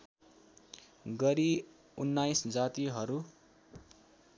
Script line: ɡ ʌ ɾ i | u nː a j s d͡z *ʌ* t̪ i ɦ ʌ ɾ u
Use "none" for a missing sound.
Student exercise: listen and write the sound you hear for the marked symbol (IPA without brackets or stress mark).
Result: a